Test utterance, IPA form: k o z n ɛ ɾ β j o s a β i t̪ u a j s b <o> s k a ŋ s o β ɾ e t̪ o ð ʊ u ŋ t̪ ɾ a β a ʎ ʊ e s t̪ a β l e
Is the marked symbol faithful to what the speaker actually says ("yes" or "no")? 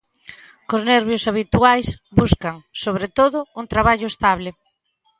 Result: no